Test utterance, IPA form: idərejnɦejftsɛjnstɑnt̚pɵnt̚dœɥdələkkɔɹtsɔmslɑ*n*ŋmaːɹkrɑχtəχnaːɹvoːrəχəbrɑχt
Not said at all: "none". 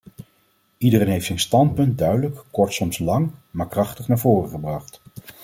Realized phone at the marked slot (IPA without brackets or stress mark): none